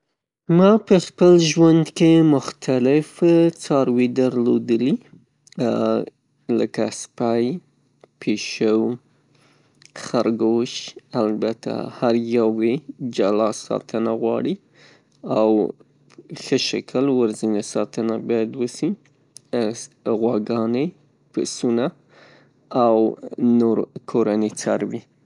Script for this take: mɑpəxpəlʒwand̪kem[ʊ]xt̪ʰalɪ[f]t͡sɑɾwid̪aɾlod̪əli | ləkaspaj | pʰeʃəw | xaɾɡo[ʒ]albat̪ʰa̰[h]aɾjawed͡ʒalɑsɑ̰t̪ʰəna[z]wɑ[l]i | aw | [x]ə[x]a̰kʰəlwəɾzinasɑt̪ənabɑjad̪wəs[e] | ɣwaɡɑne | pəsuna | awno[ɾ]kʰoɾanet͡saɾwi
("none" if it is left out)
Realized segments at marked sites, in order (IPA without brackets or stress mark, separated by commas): ʊ, f, ʃ, h, ɣ, ɽ, x, ʃ, i, ɾ